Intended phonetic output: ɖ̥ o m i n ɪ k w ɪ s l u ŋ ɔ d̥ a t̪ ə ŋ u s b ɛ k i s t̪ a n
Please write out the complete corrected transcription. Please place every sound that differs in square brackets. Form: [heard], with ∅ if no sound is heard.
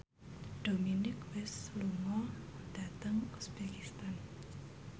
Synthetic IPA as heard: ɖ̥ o m i n ɪ k w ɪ s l u ŋ ɔ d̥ a t̪ ə ŋ u s b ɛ k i s t̪ a n